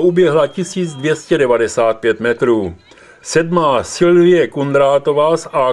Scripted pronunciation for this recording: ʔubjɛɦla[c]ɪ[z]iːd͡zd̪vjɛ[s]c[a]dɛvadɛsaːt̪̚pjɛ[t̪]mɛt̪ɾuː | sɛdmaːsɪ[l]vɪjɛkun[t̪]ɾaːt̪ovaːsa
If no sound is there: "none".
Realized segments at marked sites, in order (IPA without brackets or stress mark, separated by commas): c, s, s, ɛ, t̪, l, d̪